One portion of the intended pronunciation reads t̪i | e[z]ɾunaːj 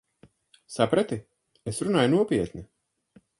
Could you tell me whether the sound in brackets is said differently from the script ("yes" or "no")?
yes